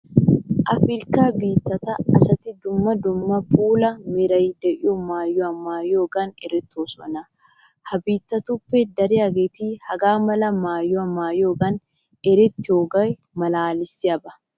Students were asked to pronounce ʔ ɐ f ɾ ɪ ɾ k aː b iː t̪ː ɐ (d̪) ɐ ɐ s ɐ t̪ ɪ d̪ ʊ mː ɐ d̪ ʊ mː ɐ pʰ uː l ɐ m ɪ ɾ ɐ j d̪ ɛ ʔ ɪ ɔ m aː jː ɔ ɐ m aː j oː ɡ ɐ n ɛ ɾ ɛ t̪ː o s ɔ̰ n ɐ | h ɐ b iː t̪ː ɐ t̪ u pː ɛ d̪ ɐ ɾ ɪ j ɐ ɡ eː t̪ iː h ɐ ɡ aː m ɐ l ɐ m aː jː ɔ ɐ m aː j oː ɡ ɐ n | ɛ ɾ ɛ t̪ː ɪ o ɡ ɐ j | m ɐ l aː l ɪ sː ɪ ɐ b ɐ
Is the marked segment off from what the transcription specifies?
yes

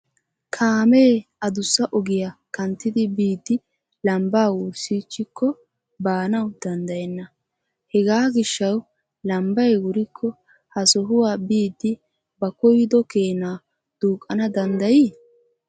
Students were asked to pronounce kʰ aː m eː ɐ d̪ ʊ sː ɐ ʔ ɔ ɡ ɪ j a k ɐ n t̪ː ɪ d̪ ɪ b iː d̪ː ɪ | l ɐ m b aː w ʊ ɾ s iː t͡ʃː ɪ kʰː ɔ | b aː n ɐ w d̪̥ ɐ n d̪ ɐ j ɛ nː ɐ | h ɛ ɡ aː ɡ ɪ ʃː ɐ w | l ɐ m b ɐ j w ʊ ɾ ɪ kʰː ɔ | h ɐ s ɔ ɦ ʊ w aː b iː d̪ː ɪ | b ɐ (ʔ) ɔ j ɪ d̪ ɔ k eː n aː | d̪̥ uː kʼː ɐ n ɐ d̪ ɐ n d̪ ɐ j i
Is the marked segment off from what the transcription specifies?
yes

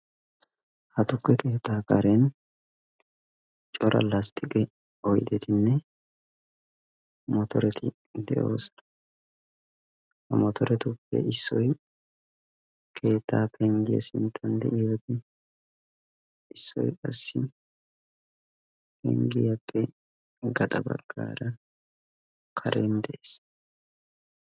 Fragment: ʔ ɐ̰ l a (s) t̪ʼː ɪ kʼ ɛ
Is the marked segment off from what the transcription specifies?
no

